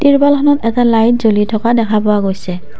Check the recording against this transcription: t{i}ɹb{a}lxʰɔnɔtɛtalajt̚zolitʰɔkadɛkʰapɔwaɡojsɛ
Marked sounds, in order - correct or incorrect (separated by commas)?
correct, correct